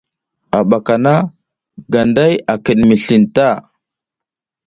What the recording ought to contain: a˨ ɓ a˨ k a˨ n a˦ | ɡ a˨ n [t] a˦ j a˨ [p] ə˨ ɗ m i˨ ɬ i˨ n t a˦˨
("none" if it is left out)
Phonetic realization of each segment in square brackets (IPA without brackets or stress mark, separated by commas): d, k